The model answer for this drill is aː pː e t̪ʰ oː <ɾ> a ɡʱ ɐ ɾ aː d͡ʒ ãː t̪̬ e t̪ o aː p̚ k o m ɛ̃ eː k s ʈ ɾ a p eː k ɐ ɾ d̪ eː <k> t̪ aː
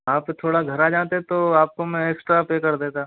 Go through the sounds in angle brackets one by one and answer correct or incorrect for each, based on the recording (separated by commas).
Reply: incorrect, incorrect